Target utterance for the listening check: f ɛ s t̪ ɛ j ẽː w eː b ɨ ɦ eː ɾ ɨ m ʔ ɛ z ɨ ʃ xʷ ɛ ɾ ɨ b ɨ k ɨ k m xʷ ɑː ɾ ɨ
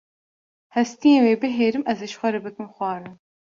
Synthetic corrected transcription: h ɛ s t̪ i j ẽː w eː b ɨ ɦ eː ɾ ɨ m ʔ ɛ z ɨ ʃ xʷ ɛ ɾ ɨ b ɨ k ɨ m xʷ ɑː ɾ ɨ